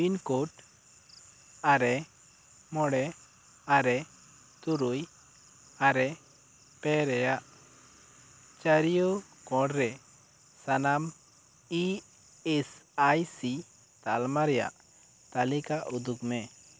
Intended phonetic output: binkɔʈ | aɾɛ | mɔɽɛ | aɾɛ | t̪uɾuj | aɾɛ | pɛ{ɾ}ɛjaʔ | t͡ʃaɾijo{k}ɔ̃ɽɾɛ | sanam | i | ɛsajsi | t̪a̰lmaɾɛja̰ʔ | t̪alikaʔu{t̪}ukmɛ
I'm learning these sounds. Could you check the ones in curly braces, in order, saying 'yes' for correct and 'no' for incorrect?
yes, yes, no

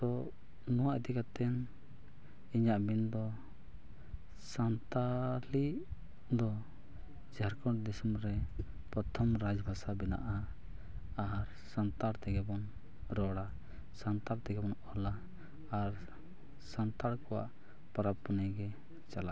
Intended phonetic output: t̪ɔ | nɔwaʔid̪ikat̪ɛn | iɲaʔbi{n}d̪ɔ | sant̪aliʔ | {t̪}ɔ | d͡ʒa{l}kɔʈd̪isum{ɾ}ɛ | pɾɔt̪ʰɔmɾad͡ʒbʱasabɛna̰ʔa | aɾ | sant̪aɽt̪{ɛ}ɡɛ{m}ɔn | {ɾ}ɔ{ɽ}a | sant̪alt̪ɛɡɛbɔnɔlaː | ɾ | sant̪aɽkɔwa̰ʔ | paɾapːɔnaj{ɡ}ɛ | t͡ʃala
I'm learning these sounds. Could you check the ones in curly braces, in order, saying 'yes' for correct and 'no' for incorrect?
yes, no, no, yes, yes, no, yes, yes, yes

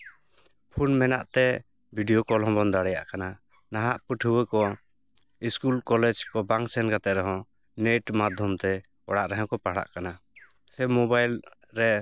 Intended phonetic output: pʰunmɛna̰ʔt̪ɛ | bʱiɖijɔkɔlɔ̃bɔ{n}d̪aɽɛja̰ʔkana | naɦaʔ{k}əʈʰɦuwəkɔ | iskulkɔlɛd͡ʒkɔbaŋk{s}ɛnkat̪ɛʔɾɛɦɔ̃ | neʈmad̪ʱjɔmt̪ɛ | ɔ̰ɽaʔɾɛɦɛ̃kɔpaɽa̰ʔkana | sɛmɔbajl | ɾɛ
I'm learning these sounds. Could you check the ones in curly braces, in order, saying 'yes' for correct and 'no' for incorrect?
yes, no, yes

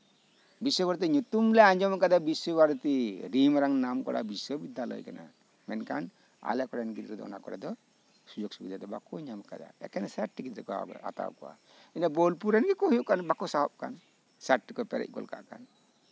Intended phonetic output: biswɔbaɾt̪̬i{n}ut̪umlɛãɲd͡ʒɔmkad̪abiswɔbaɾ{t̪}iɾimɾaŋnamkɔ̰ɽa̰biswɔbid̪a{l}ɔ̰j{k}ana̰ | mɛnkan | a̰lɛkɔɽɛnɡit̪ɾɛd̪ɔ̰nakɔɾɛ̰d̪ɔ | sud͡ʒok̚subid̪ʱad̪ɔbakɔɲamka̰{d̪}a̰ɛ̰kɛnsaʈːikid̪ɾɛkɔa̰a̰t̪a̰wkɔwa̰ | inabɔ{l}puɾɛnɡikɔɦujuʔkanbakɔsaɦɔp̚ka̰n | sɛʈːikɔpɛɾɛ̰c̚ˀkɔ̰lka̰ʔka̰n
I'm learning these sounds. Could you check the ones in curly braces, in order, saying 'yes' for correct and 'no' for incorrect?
no, yes, yes, yes, yes, yes

